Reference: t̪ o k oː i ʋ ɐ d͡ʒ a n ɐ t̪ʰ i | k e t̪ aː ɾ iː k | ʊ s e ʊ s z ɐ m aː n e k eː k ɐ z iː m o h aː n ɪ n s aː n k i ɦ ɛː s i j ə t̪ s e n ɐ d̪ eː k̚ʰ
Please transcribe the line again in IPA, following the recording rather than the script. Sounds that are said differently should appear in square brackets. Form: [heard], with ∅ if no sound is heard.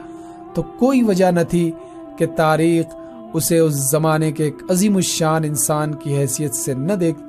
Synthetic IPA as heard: t̪ o k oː i ʋ ɐ d͡ʒ a n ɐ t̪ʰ i | k e t̪ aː ɾ iː [x] | ʊ s e ʊ s z ɐ m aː n e k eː k ɐ z iː m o [ʃ] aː n ɪ n s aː n k i ɦ ɛː s i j ə t̪ s e n ɐ d̪ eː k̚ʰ